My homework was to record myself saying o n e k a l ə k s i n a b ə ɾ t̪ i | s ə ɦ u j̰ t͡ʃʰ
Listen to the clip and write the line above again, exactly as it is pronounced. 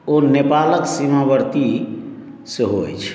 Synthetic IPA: o n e p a l ə k s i m a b ə ɾ t̪ i | s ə ɦ o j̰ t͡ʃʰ